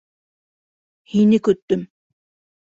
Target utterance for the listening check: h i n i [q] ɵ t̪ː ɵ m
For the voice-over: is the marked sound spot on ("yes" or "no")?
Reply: no